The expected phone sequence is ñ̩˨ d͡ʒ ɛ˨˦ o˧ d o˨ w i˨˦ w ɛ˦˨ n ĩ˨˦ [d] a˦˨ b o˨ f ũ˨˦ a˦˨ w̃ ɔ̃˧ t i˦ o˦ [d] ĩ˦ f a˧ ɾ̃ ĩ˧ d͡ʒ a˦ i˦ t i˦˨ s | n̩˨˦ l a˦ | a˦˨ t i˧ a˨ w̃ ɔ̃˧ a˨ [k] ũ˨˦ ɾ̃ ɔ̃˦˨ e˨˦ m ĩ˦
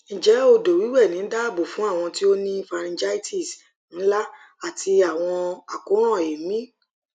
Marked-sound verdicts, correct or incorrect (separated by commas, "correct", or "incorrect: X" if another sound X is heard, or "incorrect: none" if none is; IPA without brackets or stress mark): correct, incorrect: n, correct